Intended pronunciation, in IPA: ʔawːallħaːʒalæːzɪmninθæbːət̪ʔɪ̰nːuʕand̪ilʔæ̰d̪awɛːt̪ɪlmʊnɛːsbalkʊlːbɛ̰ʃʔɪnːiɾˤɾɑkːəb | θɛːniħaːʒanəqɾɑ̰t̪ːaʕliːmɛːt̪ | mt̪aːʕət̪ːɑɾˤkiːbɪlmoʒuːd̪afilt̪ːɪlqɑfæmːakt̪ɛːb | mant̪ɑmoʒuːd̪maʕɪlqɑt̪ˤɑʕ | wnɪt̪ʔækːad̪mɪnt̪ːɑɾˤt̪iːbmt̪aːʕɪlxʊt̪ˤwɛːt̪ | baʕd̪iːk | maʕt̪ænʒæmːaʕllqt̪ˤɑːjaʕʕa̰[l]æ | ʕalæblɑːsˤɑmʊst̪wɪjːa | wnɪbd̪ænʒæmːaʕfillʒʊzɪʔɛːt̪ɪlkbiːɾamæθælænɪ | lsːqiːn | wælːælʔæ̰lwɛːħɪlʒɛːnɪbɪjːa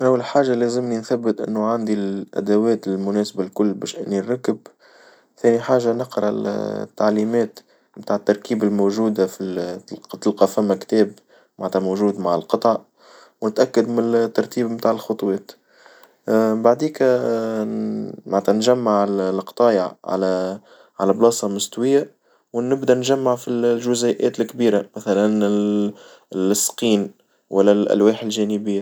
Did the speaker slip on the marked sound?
no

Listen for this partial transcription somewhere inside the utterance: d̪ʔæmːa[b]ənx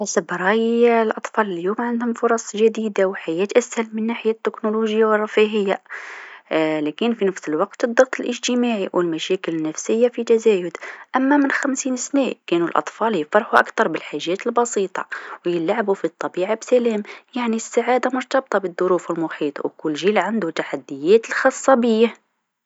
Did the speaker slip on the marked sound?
yes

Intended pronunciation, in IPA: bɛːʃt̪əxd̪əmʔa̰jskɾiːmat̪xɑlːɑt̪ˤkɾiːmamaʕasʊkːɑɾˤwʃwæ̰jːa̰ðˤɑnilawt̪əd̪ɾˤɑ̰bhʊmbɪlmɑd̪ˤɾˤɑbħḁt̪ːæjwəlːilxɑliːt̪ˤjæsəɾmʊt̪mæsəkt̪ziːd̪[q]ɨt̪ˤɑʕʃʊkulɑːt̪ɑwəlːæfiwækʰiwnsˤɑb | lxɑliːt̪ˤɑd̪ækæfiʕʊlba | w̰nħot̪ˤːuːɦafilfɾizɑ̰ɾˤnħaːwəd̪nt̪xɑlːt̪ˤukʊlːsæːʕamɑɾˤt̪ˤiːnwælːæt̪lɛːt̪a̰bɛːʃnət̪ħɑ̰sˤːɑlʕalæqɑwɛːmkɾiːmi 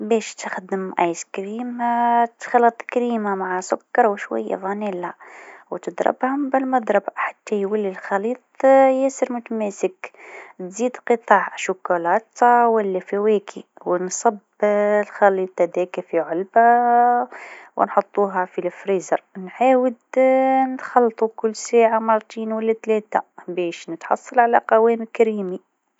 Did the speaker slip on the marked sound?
no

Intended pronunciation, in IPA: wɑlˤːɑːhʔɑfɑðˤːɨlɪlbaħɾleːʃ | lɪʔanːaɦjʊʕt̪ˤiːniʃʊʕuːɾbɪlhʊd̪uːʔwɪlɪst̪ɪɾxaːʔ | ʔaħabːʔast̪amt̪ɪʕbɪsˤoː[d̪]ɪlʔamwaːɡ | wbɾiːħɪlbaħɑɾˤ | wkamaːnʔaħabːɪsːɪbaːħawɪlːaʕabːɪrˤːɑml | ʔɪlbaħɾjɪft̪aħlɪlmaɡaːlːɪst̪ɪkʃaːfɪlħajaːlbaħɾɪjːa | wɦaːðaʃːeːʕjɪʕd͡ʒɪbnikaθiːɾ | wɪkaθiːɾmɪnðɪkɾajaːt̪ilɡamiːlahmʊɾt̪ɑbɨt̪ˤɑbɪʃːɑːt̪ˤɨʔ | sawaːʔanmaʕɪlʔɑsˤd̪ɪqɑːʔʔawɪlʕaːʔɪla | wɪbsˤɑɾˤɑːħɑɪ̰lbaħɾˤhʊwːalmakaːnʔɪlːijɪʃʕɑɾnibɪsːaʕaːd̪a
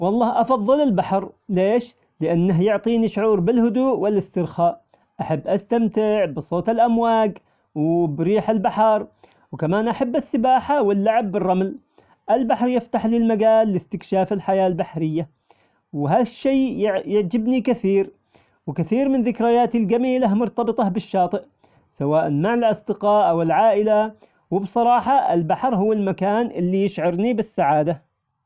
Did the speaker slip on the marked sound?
yes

